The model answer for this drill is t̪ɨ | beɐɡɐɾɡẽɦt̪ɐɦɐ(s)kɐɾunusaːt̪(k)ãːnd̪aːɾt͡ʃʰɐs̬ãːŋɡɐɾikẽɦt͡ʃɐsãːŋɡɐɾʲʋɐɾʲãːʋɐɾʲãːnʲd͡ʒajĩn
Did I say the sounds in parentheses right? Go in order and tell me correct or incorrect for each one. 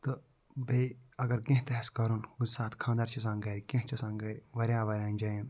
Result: correct, incorrect: kʰ

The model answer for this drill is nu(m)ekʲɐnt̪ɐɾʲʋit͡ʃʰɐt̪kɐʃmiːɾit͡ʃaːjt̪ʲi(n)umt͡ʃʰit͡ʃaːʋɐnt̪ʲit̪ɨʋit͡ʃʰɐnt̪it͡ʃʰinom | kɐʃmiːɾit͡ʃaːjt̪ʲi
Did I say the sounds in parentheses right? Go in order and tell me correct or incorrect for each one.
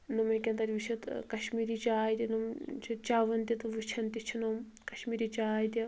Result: correct, correct

